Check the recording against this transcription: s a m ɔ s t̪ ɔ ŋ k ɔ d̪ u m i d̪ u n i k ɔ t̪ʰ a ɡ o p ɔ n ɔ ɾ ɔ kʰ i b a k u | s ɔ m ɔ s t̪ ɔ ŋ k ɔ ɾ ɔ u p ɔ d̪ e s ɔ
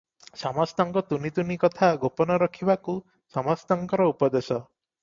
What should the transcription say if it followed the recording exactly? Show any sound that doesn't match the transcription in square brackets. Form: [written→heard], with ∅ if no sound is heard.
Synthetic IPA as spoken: s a m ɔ s t̪ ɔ ŋ k ɔ [d̪→t̪] u [m→n] i [d̪→t̪] u n i k ɔ t̪ʰ a ɡ o p ɔ n ɔ ɾ ɔ kʰ i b a k u | s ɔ m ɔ s t̪ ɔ ŋ k ɔ ɾ ɔ u p ɔ d̪ e s ɔ